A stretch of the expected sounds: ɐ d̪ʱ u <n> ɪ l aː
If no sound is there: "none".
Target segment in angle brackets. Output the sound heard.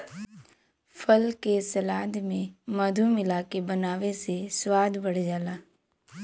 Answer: m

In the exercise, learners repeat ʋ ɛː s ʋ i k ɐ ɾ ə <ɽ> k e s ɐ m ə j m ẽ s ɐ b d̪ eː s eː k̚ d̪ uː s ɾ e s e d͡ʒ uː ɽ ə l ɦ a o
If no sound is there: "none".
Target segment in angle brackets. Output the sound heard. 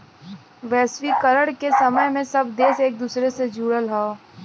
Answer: ɽ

